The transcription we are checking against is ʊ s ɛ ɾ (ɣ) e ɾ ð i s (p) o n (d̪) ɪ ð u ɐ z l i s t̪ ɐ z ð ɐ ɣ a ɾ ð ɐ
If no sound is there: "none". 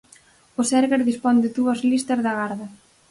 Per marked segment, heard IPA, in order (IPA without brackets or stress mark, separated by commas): ɣ, p, d̪